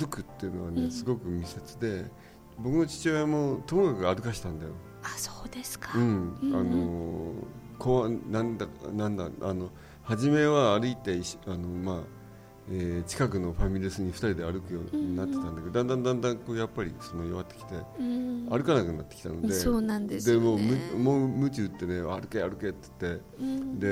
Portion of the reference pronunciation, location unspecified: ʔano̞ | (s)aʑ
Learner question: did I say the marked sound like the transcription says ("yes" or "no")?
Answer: no